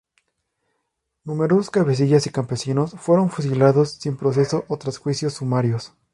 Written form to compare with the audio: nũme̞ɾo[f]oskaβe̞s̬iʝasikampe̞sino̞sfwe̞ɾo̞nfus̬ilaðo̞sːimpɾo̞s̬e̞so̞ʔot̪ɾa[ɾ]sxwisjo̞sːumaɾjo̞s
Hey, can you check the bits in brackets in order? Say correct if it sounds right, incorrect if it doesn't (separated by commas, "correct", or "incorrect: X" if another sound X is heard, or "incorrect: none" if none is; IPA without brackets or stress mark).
incorrect: s, incorrect: none